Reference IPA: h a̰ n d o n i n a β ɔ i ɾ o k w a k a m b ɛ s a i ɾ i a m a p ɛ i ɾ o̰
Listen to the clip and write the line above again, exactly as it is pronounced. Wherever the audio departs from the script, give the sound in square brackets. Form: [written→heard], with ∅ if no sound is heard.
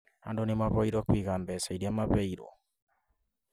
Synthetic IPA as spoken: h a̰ n d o n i [n→m] a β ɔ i ɾ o k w [a→i] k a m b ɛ s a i ɾ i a m a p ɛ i ɾ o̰